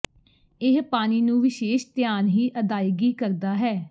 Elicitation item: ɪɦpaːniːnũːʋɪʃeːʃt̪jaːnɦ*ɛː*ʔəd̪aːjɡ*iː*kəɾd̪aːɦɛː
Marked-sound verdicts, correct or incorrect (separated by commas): incorrect, correct